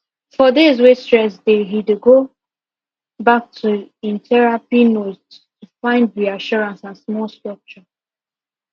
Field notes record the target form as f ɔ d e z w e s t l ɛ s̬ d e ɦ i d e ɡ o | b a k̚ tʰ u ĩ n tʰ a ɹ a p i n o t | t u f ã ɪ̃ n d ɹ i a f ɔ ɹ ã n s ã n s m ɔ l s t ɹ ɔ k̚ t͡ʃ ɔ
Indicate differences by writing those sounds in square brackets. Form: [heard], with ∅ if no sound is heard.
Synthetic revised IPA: f ɔ d e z w e s t [ɹ] ɛ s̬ d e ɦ i d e ɡ o | b a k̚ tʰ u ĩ n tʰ [ɛ] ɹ a p i n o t | t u f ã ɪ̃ n d ɹ i a [ʃ] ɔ ɹ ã n s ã n s m ɔ l s t ɹ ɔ k̚ t͡ʃ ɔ

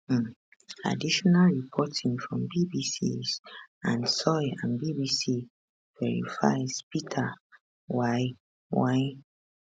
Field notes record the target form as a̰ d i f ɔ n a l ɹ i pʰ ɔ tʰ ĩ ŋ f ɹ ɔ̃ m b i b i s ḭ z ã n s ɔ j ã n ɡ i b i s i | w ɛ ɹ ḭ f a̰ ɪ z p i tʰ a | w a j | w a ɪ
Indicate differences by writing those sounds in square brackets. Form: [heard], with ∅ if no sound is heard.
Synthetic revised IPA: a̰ d i [ʃ] ɔ n a l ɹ i pʰ ɔ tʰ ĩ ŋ f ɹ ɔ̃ m b i b i s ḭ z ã n s ɔ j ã n [b] i b i s i | [v] ɛ ɹ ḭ f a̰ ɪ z p i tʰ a | w a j | w a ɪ

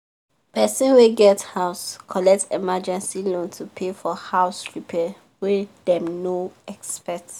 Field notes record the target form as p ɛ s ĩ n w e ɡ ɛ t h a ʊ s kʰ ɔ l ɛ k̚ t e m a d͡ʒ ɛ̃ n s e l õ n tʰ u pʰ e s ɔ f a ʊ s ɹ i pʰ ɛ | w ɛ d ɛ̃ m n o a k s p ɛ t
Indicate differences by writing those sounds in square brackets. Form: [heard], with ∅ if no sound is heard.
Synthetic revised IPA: p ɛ s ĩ n w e ɡ ɛ t h a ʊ s kʰ ɔ l ɛ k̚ t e m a d͡ʒ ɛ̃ n s [i] l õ n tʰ u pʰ e [f] ɔ [h] a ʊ s ɹ i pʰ ɛ | w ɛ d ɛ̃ m n o [ɛ] k s p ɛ t

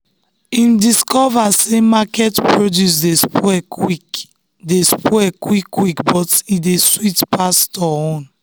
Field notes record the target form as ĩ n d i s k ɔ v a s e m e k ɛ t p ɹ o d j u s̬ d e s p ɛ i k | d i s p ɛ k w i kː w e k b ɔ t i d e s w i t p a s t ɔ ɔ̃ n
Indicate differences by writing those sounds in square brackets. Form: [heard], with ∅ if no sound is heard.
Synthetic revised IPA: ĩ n d i s k ɔ v a s e m [a] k ɛ t p ɹ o d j u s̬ d e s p ɛ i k | d [e] s p ɛ k w i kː w [i] k b ɔ t i d e s w i t p a s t ɔ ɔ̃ n

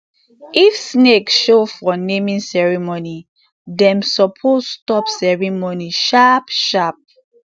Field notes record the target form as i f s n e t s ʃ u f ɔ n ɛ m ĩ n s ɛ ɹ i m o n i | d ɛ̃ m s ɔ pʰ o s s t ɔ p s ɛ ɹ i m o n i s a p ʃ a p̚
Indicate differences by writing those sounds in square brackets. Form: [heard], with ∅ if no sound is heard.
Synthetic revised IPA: i f s n e [k] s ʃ [o] f ɔ n [e] m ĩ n s ɛ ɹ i m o n i | d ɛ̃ m s ɔ pʰ o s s t ɔ p s ɛ ɹ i m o n i [ʃ] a p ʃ a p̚

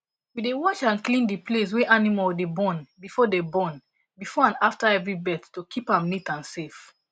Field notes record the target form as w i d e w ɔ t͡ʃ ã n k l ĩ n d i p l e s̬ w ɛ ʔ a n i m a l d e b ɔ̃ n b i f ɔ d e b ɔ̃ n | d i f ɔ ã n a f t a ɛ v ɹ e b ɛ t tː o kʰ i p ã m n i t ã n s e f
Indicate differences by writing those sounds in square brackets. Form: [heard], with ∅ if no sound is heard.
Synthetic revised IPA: w i d e w ɔ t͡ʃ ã n k l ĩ n d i p l e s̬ w ɛ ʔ a n i m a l d e b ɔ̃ n b i f ɔ d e b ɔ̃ n | [b] i f ɔ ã n a f t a ɛ v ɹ [i] b ɛ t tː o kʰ i p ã m n i t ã n s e f

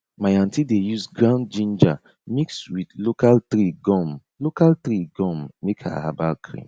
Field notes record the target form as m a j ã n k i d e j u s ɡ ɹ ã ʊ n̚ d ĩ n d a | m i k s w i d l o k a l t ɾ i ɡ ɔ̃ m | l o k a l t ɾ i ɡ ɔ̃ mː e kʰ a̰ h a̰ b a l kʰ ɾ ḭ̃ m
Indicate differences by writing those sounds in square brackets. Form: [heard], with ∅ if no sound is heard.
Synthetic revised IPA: m a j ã n [t] i d e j u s ɡ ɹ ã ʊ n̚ [d͡ʒ] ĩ n [d͡ʒ] a | m i k s w i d l o k a l t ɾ i ɡ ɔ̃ m | l o k a l t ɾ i ɡ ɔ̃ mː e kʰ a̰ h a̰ b a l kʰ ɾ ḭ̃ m

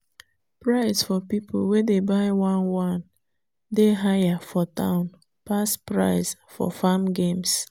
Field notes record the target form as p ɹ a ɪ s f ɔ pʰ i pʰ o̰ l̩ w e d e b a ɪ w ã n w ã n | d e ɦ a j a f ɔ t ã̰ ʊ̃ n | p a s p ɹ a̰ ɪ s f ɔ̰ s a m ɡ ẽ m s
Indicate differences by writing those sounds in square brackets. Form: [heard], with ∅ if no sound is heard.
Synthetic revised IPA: p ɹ a ɪ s f ɔ [p] i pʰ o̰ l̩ w e d e b a ɪ w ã n w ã n | d e ɦ a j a f ɔ t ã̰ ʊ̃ n | p a s p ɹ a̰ ɪ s f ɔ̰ [f] a m ɡ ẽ m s

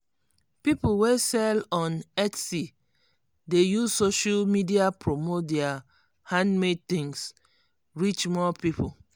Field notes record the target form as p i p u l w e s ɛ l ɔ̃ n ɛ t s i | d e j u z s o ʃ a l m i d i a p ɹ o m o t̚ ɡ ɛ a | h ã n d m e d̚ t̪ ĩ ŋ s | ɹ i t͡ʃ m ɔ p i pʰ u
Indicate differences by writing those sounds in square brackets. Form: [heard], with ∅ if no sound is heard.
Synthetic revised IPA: p i p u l w e s ɛ l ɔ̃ n ɛ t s i | d e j u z s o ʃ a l m i d i a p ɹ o m o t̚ [d] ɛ a | h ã n d m e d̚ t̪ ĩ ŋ s | ɹ i t͡ʃ m ɔ p i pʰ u

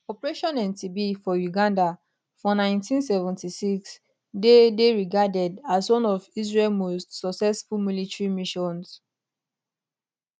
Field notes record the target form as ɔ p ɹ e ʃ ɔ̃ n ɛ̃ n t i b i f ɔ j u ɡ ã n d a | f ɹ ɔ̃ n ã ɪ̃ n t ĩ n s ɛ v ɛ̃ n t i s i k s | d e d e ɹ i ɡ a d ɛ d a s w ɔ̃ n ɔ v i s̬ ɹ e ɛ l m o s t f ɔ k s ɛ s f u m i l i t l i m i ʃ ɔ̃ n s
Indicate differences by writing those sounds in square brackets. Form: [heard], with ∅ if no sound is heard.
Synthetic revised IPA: ɔ p ɹ e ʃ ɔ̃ n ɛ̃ n t i b i f ɔ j u ɡ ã n d a | f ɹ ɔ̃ n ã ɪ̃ n t ĩ n s ɛ v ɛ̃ n t i s i k s | d e d e ɹ i ɡ a d ɛ d a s w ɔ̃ n ɔ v i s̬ ɹ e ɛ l m o s t [s] ɔ k s ɛ s f u m i l i t [ɹ] i m i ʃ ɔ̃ n s

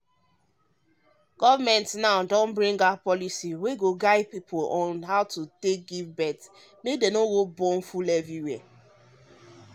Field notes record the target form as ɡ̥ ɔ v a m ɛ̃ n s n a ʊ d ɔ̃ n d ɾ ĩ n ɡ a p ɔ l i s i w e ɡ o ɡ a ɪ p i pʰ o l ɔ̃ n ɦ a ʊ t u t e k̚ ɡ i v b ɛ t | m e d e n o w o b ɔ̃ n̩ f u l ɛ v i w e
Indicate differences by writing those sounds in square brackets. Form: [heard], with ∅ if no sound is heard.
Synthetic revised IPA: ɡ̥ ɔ v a m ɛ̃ n [t] n a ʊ d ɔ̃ n [b] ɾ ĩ [ŋ] ɡ a p ɔ l i s i w e ɡ o ɡ a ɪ p i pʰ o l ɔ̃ n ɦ a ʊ t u t e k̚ ɡ i v b ɛ t | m e d e n o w o b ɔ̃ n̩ f u l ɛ v i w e

